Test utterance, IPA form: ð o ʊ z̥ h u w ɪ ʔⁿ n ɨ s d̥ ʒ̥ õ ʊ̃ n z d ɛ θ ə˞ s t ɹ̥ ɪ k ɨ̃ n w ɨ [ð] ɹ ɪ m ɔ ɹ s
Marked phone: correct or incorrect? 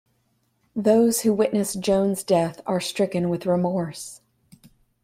correct